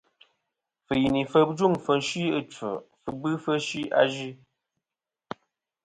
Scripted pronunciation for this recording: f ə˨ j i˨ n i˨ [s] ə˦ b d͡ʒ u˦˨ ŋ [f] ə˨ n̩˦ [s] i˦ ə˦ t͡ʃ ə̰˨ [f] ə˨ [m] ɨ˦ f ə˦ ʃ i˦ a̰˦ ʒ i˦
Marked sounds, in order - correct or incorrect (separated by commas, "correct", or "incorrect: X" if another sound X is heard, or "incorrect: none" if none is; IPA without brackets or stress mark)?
incorrect: f, correct, incorrect: ʃ, correct, incorrect: b